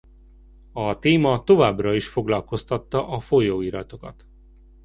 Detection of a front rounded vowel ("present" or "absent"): absent